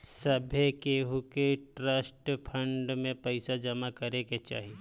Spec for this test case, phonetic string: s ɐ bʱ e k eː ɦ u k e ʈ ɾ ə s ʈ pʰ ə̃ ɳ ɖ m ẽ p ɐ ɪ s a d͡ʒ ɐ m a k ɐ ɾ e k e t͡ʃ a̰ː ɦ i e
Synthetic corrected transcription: s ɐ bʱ e k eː ɦ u k e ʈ ɾ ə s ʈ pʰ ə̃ ɳ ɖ m ẽ p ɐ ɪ s a d͡ʒ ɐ m a k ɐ ɾ e k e t͡ʃ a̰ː ɦ i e